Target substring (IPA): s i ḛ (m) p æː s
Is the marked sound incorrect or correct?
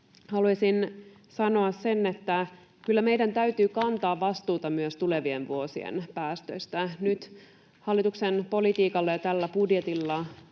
incorrect